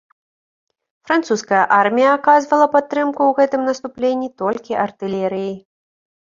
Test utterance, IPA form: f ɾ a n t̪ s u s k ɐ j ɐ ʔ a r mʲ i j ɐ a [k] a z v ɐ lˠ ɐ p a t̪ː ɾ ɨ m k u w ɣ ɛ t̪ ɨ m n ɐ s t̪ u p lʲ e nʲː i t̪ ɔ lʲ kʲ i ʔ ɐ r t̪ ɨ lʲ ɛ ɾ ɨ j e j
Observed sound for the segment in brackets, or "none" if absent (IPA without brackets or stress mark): k